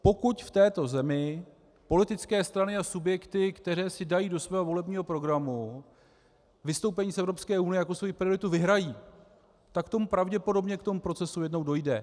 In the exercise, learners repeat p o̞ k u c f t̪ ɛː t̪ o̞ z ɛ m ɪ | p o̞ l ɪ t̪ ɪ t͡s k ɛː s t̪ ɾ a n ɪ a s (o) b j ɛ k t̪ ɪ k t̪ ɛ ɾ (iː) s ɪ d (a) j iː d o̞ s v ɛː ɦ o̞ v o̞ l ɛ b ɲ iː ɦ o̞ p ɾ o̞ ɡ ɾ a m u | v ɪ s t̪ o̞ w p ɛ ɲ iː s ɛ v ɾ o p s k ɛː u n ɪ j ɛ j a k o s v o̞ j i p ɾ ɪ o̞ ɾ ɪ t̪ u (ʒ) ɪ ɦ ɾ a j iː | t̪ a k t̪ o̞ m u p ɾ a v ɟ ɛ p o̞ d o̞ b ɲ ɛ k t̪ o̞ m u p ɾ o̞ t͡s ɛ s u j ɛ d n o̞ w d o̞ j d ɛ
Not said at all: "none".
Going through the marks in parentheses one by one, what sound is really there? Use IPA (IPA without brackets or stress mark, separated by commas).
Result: u, ɛː, a, v